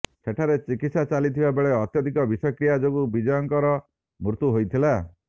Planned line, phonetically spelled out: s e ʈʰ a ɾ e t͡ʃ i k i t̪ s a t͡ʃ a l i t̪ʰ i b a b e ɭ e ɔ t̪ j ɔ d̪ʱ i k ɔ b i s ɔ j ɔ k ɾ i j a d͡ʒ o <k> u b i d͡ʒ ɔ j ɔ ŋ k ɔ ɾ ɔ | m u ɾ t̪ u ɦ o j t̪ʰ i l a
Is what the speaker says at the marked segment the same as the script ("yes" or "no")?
no